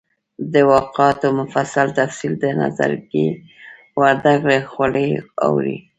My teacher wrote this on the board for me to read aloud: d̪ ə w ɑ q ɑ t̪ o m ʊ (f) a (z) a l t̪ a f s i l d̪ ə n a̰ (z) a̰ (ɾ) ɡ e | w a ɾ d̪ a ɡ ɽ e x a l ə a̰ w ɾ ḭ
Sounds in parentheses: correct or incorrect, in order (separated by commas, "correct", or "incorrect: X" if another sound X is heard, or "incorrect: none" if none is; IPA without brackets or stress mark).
correct, incorrect: s, correct, correct